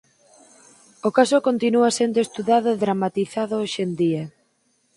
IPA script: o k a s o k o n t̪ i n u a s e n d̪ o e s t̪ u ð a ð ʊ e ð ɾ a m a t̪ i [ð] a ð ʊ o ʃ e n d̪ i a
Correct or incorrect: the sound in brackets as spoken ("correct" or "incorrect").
incorrect